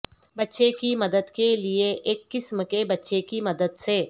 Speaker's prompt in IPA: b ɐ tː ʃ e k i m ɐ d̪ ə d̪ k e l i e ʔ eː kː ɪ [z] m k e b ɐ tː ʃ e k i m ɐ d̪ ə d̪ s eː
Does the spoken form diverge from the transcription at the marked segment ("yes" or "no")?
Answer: yes